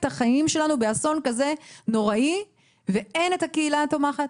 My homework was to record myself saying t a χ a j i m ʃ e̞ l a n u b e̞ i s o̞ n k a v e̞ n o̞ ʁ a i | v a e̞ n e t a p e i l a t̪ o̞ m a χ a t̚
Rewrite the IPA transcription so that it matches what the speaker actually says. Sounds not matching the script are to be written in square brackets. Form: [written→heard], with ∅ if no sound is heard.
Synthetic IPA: t a χ a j i m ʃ e̞ l a n u b e̞ [i→a] s o̞ n k a [v→z] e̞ n o̞ ʁ a i | v [a→e] e̞ n e t a [p→k] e i l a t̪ o̞ m a χ a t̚